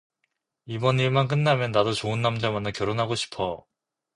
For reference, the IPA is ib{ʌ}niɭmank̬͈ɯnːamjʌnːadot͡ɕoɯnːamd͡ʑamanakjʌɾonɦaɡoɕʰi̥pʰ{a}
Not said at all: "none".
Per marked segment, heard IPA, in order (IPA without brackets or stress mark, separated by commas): ʌ, ʌ